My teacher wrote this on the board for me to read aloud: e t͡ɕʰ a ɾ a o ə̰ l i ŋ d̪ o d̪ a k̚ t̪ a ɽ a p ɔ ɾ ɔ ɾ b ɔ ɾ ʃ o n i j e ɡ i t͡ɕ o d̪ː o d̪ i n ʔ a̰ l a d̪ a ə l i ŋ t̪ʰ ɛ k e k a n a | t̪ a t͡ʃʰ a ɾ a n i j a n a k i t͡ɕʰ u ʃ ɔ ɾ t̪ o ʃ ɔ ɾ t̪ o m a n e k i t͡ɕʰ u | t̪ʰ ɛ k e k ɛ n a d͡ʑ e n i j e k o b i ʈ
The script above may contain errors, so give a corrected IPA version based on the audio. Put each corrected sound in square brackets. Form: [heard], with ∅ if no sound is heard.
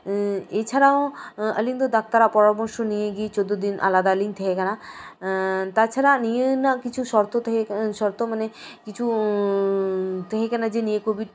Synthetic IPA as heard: e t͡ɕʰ a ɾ a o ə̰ l i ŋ d̪ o d̪ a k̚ t̪ a [ɾ] a p ɔ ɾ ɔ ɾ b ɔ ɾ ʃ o n i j e ɡ i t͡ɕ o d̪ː o d̪ i n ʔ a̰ l a d̪ a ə l i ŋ t̪ʰ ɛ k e k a n a | t̪ a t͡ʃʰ a ɾ a n i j [e] n a k i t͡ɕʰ u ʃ ɔ ɾ t̪ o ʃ ɔ ɾ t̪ o m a n e k i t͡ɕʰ u | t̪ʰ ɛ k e k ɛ n a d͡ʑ e n i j e k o b i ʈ

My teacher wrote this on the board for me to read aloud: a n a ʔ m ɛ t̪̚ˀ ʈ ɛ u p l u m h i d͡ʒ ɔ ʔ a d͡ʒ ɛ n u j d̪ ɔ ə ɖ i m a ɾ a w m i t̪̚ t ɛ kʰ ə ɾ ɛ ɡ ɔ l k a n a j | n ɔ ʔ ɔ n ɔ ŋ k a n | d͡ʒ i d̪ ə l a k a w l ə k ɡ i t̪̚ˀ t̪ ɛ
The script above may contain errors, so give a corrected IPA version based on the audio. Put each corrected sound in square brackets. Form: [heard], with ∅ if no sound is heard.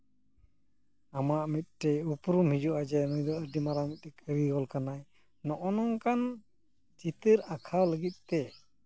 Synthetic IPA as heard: a [m] a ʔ m [i] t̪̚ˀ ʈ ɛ u p [ɾ] u m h i d͡ʒ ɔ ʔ a d͡ʒ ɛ n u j d̪ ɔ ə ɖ i m a ɾ a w m i t̪̚ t ɛ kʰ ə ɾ [i] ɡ ɔ l k a n a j | n ɔ ʔ ɔ n ɔ ŋ k a n | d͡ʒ i [t̪] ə [ɾ] a [kʰ] a w l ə [∅] ɡ i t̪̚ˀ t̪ ɛ

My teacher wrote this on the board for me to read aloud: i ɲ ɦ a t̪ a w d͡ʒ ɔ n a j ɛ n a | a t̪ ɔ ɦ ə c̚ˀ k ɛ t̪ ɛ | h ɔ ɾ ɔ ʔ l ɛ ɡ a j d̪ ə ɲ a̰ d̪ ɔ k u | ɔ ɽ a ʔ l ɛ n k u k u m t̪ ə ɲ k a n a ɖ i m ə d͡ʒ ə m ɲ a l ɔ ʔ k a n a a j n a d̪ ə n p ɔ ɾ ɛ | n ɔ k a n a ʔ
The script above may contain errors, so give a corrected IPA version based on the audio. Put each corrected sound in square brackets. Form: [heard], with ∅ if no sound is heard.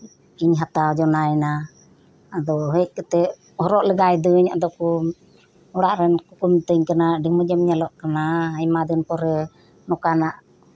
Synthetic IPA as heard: i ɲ ɦ a t̪ a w d͡ʒ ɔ n a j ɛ n a | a [d̪] ɔ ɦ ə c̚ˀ k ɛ t̪ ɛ | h ɔ ɾ ɔ ʔ l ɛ ɡ a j d̪ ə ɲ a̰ d̪ ɔ k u | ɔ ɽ a ʔ [ɾ] ɛ n k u k u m t̪ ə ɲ k a n a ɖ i m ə d͡ʒ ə m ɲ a l ɔ ʔ k a n a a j [m] a d̪ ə n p ɔ ɾ ɛ | n ɔ k a n a ʔ

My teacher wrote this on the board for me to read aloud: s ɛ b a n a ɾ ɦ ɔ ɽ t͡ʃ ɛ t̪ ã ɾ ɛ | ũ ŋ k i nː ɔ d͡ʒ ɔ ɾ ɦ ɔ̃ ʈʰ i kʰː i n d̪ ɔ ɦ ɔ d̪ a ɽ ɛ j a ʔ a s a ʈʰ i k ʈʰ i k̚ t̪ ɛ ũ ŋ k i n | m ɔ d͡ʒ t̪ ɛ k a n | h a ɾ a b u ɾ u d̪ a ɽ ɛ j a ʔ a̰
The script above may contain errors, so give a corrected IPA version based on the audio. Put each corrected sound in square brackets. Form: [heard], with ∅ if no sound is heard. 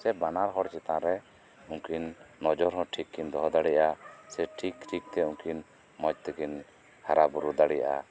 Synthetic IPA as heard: s ɛ b a n a ɾ ɦ ɔ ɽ t͡ʃ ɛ t̪ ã ɾ ɛ | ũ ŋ k i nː ɔ d͡ʒ ɔ ɾ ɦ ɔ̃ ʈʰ i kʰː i n d̪ ɔ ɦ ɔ d̪ a ɽ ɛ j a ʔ a s [ɛ] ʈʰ i k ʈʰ i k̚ t̪ ɛ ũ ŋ k i n | m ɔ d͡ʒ t̪ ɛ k [i] n | h a ɾ a b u ɾ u d̪ a ɽ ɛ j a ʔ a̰

